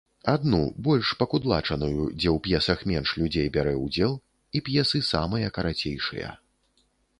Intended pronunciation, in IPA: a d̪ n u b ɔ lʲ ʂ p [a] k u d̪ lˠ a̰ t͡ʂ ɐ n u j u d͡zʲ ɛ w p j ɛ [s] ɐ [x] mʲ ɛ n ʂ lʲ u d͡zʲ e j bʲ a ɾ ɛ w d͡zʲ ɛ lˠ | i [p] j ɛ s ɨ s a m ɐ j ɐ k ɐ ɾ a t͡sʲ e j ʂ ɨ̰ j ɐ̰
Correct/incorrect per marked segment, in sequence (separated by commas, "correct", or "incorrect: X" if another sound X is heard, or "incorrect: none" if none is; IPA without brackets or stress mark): incorrect: ɐ, correct, correct, correct